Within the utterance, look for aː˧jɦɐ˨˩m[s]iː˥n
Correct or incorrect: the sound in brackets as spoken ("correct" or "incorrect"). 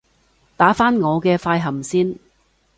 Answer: correct